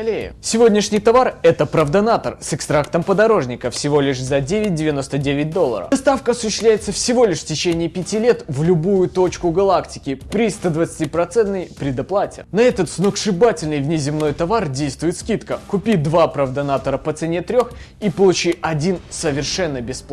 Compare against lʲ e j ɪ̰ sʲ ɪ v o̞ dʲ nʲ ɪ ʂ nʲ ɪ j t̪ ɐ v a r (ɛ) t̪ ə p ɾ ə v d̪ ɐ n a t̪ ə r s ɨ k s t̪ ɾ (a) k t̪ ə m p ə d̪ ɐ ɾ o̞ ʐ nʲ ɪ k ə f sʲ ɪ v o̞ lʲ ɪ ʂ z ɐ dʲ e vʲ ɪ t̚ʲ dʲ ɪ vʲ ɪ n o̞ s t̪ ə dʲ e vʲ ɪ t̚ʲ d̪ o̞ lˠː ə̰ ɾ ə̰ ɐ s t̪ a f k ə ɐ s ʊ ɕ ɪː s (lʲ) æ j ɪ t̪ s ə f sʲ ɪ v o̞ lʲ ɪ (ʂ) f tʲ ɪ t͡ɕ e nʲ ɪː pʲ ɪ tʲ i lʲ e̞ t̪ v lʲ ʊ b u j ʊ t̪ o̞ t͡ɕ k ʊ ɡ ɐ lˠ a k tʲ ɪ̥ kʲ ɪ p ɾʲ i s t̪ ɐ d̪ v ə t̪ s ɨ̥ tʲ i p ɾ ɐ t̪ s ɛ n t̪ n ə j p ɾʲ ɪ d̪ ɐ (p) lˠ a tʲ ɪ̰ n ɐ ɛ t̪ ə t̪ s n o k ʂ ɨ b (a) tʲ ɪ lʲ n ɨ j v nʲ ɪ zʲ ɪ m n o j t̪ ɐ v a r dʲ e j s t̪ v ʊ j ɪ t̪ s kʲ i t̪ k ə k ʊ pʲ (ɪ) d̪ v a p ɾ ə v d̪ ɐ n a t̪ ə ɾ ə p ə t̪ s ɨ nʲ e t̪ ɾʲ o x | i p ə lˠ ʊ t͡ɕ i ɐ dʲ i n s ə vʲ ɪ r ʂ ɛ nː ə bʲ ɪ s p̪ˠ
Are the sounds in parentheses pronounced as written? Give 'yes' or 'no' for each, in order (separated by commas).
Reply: yes, yes, yes, yes, yes, yes, no